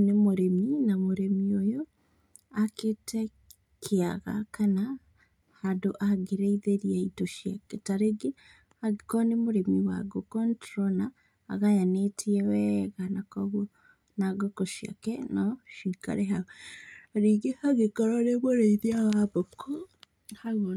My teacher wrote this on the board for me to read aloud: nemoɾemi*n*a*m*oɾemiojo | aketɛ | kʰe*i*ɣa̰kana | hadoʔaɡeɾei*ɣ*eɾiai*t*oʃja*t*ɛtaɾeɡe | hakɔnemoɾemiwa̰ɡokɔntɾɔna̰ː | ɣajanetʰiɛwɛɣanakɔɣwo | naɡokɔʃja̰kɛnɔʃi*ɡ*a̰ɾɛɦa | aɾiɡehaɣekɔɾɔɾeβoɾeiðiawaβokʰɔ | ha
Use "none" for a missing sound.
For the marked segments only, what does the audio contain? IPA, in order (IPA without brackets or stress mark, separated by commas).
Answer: n, m, a, ð, t, k, k